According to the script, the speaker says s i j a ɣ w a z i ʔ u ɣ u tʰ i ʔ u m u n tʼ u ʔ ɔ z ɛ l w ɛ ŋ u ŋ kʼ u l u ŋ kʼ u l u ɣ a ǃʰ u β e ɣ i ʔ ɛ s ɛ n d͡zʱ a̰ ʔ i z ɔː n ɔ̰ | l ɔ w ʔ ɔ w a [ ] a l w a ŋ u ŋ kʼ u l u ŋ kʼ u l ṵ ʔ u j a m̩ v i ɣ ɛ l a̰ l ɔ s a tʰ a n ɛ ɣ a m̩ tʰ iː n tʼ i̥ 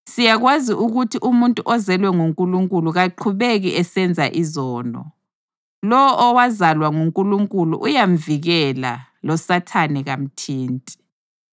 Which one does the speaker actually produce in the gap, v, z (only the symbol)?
z